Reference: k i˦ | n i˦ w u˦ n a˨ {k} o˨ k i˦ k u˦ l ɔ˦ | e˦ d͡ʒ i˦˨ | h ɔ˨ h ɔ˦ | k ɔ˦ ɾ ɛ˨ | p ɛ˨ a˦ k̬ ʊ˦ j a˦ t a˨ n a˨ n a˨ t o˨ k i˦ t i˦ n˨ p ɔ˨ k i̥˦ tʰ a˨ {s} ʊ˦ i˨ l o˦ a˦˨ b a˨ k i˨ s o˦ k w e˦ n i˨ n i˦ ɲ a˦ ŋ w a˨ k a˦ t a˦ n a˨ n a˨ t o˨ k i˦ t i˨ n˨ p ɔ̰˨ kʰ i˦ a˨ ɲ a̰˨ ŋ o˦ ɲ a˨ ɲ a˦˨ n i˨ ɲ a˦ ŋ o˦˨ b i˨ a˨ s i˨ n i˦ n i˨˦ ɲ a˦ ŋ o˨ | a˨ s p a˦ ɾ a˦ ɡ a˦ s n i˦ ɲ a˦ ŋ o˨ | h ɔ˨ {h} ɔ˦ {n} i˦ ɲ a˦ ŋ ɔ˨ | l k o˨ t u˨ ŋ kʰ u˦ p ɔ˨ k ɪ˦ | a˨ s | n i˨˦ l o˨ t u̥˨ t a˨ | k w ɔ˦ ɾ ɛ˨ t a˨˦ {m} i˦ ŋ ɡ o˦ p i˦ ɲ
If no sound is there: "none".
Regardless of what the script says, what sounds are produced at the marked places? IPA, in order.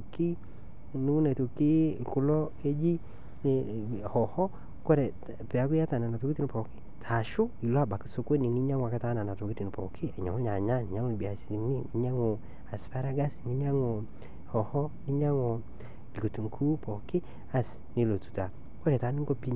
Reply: t, ʃ, h, n, n

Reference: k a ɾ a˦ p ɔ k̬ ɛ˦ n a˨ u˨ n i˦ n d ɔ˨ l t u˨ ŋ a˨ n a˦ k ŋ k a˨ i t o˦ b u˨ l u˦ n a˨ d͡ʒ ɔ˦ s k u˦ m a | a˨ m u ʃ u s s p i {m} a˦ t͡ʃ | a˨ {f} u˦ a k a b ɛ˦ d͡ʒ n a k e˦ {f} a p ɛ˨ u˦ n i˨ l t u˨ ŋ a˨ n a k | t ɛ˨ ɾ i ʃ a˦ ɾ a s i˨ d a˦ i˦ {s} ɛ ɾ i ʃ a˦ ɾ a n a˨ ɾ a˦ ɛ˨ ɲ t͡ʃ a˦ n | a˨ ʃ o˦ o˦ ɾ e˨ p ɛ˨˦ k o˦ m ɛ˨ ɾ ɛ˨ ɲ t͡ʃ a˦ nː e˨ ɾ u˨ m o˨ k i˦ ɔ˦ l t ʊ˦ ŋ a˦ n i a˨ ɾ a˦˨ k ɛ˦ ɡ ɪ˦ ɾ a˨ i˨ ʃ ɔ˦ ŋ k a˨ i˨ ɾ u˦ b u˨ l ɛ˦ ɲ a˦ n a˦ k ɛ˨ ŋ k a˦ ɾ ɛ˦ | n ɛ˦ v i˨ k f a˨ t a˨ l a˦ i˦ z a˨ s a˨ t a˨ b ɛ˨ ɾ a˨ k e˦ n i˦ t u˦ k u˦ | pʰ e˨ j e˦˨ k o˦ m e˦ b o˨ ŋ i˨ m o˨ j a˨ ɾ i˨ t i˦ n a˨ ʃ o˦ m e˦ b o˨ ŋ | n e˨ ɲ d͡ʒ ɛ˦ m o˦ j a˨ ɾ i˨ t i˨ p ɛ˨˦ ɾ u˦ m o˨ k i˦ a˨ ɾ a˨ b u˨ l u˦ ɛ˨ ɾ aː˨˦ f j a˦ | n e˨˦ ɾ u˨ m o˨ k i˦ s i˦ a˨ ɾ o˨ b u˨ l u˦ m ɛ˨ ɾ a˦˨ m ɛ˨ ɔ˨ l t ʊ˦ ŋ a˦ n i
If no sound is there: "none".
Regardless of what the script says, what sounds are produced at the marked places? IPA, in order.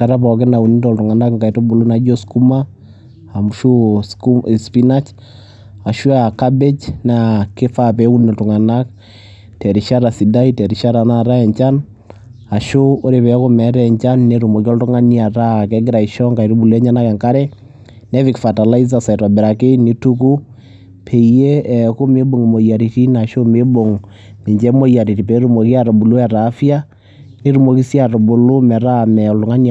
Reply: n, ʃ, f, t

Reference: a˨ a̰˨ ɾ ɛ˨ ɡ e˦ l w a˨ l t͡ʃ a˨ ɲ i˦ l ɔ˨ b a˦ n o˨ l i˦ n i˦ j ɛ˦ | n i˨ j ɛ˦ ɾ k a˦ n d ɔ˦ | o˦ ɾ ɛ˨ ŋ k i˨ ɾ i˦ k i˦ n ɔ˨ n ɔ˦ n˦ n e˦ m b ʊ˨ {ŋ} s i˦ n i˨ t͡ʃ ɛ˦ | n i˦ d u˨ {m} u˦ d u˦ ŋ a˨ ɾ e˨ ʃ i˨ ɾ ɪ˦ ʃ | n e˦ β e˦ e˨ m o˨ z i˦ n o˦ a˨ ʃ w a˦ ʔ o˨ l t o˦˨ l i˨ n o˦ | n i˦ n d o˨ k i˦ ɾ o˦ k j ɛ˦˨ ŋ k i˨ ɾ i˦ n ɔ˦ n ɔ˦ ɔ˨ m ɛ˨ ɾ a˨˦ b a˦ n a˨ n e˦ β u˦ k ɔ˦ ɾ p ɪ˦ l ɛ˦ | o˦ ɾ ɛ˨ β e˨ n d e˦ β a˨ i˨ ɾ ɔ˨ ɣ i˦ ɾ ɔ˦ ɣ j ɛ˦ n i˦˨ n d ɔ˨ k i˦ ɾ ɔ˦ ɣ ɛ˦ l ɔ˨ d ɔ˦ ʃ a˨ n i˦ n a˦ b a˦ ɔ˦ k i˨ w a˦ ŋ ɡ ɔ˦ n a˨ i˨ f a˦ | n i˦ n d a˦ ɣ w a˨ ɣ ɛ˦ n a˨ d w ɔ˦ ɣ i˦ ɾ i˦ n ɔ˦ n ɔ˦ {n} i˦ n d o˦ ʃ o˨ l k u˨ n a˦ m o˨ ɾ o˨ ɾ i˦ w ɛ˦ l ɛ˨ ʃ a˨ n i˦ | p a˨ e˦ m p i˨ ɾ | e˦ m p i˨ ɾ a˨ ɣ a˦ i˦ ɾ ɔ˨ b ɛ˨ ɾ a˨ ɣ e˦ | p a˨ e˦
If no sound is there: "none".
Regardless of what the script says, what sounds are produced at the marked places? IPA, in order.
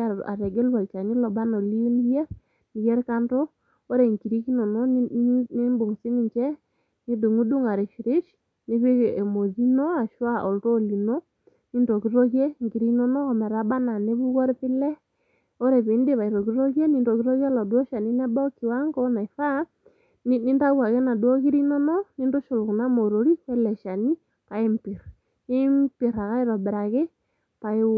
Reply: ŋ, ŋ, n

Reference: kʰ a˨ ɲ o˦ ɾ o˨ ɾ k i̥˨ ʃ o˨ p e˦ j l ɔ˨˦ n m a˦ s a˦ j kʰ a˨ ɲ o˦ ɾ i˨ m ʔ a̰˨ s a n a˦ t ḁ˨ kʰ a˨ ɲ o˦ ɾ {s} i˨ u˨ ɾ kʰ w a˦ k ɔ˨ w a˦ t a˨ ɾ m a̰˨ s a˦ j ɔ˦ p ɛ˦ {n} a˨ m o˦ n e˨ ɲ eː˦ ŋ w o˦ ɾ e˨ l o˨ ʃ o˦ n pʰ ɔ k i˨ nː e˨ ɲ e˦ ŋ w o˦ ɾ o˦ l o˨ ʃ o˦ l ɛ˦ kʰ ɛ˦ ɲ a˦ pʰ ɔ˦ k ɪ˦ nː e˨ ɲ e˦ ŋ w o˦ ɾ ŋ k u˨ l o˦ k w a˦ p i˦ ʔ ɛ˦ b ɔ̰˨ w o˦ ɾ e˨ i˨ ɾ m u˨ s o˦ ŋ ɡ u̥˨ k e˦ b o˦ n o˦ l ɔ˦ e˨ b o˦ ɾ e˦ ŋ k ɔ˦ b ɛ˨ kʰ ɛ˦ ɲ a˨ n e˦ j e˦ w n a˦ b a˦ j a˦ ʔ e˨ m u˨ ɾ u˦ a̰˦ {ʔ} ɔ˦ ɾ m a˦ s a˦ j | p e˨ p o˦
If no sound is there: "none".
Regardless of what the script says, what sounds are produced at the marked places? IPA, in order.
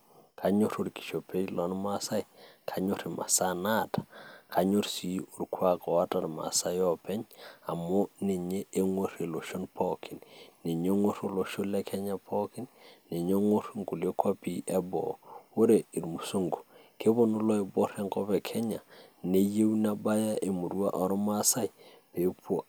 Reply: s, ɲ, ʔ

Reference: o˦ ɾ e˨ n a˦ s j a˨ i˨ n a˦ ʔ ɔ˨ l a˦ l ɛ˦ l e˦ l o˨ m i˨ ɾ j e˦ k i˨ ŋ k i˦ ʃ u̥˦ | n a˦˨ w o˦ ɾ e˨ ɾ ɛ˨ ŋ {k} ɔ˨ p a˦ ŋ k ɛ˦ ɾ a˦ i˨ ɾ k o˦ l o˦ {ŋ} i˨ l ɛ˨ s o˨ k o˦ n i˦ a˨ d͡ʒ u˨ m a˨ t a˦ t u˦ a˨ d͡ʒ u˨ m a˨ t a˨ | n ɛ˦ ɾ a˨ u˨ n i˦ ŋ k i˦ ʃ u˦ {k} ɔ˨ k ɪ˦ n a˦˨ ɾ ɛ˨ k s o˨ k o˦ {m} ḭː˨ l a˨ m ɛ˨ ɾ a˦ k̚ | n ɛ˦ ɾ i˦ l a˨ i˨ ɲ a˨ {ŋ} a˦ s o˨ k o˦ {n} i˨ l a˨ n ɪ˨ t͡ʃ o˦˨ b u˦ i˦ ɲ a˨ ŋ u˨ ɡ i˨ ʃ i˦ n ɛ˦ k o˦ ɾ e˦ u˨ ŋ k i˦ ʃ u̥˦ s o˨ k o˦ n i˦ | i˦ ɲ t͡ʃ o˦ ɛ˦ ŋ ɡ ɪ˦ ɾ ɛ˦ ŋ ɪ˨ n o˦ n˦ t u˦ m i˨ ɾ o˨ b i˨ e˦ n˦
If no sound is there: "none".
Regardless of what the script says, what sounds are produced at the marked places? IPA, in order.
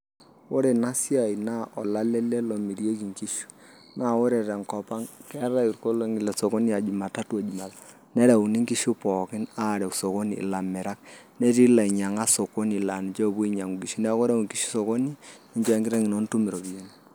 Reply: k, ŋ, p, n, ŋ, n

